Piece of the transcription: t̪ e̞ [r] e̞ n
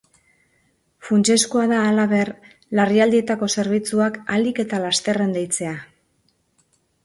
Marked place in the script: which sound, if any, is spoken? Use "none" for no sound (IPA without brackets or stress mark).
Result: r